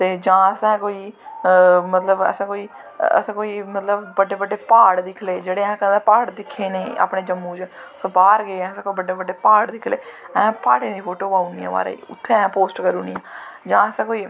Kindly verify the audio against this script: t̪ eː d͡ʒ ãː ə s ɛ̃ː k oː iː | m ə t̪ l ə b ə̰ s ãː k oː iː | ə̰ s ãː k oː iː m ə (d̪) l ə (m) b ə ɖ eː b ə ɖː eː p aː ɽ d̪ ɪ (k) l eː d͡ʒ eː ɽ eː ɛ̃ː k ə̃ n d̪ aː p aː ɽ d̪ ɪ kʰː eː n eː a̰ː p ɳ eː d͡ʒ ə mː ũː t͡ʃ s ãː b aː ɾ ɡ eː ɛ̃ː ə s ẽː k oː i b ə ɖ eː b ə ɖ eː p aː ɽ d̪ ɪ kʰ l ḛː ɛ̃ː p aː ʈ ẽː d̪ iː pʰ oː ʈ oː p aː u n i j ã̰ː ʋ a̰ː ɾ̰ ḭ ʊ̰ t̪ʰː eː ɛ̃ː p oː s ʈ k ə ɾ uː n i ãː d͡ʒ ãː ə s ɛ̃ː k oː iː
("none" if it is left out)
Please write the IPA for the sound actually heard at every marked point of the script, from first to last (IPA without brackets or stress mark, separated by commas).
t̪, b, kʰ